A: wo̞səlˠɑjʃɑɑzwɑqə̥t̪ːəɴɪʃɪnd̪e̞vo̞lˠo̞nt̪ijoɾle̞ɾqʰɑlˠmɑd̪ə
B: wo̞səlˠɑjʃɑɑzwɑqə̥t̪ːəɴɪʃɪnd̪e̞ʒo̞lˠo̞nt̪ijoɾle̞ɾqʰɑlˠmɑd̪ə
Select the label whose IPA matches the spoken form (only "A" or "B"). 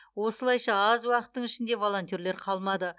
A